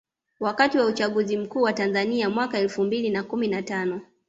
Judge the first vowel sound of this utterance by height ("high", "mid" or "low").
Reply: low